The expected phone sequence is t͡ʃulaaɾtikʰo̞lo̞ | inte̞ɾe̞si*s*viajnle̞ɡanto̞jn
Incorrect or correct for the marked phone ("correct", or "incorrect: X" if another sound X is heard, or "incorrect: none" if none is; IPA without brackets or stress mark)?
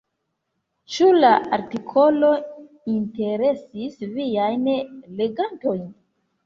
correct